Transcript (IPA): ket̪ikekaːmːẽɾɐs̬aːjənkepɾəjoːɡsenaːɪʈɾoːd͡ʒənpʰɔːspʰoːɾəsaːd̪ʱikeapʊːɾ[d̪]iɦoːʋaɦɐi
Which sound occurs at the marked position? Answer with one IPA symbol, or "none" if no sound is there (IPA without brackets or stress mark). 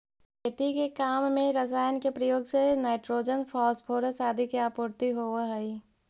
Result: t̪